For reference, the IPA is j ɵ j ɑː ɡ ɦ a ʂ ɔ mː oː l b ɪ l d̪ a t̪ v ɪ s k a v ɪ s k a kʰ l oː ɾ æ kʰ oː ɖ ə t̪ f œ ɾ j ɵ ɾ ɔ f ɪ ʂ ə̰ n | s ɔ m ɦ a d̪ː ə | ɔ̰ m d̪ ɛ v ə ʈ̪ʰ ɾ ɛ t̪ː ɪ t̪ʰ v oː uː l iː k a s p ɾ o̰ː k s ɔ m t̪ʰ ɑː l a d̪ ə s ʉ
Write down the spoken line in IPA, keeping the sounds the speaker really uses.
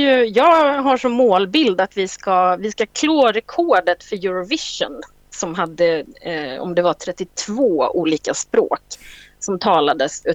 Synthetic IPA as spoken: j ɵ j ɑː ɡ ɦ a ʂ ɔ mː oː l b ɪ l d̪ a t̪ v ɪ s k a v ɪ s k a kʰ l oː ɾ ɛ kʰ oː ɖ ə t̪ f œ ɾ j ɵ ɾ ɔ v ɪ ʂ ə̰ n | s ɔ m ɦ a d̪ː ə | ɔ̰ m d̪ ɛ v a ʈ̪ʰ ɾ ɛ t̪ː ɪ t̪ʰ v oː uː l iː k a s p ɾ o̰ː k s ɔ m t̪ʰ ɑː l a d̪ ə s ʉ